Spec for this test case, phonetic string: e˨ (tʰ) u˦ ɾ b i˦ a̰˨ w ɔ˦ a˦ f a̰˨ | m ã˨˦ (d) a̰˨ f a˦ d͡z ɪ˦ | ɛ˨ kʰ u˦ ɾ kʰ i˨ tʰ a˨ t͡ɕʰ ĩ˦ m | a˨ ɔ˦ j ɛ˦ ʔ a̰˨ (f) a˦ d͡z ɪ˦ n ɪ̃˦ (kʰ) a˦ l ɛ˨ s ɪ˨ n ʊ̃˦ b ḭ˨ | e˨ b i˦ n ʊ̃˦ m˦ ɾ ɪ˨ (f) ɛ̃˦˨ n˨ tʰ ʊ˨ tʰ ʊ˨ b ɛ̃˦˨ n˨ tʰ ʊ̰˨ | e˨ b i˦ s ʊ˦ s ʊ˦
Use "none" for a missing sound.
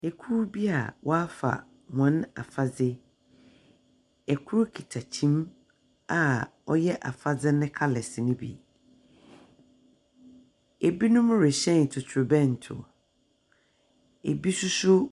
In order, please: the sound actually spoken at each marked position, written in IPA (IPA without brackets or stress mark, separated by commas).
kʰ, n, f, kʰ, ɕ